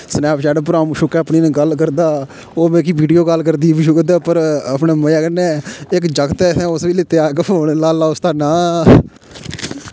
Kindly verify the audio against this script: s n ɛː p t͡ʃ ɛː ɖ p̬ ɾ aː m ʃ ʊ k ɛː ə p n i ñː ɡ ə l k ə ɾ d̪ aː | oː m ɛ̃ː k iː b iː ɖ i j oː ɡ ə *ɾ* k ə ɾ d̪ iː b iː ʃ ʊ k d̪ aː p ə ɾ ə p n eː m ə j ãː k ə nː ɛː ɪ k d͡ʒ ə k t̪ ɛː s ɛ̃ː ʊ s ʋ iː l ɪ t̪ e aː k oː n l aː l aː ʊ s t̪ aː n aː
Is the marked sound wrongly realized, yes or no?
yes